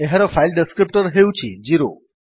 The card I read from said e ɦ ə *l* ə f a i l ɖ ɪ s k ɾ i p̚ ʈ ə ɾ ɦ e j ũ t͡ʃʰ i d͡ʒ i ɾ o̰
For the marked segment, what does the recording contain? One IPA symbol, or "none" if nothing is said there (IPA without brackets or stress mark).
ɾ